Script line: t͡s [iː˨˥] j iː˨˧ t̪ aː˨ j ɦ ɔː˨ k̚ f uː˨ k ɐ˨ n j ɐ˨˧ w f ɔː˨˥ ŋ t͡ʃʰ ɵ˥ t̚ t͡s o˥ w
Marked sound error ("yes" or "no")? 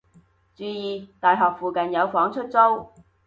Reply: yes